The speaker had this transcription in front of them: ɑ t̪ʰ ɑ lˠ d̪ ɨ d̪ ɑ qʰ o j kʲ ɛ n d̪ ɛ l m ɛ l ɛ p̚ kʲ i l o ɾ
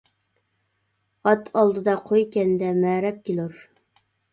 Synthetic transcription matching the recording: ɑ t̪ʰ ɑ lˠ d̪ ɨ d̪ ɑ qʰ o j kʲ ɛ n d̪ ɛ m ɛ ɾ ɛ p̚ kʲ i l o ɾ